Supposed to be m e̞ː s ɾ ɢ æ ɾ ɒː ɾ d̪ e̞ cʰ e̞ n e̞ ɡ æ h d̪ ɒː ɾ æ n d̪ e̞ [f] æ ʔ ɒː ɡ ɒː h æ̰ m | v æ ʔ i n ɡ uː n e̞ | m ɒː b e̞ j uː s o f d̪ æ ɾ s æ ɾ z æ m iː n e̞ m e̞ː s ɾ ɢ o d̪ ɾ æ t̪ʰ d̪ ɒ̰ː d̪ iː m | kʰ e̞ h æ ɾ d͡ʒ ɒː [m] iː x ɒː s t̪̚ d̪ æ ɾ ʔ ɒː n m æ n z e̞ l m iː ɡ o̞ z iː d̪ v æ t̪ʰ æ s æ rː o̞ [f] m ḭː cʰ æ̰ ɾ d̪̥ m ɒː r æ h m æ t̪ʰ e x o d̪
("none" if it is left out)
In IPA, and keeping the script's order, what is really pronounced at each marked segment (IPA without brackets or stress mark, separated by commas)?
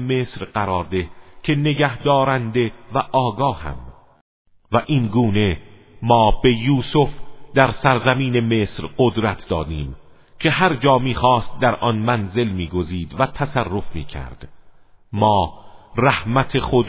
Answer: v, m, f